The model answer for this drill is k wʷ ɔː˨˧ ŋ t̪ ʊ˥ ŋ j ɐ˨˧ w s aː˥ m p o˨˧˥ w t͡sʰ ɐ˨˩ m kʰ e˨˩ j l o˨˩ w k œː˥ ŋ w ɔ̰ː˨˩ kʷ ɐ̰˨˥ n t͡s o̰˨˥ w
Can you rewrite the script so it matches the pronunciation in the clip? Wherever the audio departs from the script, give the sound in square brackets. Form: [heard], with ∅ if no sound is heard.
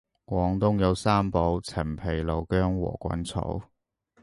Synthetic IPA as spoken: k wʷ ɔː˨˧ ŋ t̪ ʊ˥ ŋ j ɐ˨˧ w s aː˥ m p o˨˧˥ w t͡sʰ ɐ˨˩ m [pʰ] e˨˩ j l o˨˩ w k œː˥ ŋ w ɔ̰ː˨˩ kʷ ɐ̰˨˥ n [t͡sʰ] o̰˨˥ w